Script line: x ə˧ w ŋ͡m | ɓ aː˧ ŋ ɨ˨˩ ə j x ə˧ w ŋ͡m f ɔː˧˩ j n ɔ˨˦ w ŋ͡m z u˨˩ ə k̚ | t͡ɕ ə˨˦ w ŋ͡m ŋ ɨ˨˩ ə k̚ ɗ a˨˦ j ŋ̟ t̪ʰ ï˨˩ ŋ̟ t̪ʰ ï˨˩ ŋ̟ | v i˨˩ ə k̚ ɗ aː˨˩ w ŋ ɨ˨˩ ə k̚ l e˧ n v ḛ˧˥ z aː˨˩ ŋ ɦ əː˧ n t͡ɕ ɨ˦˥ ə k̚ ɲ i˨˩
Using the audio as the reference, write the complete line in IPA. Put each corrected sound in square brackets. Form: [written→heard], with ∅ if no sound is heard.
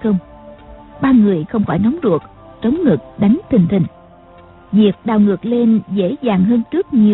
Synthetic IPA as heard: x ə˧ w ŋ͡m | ɓ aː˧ ŋ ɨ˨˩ ə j x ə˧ w ŋ͡m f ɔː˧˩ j n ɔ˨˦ w ŋ͡m z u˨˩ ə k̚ | t͡ɕ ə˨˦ w ŋ͡m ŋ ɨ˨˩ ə k̚ ɗ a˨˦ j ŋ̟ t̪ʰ ï˨˩ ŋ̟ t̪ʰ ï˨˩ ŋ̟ | v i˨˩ ə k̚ ɗ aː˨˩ w ŋ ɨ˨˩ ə k̚ l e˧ n [v→z] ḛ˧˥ z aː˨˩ ŋ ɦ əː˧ n t͡ɕ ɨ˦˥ ə k̚ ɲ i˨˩